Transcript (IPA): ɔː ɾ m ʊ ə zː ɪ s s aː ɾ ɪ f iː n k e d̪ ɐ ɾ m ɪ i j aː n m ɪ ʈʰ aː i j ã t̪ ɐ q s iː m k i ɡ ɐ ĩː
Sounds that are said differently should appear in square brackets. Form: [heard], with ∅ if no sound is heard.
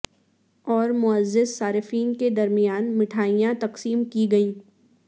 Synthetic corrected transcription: ɔː ɾ m ʊ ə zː ɪ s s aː ɾ ɪ f iː n k e d̪ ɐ ɾ m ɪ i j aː n m ɪ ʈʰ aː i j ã t̪ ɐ q s iː m k i ɡ ɐ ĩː